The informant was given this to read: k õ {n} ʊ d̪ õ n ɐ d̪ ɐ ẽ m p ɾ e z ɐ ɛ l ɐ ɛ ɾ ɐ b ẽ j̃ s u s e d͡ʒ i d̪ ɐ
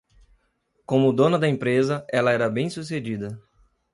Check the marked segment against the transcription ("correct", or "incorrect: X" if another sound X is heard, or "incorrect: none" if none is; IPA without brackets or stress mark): incorrect: m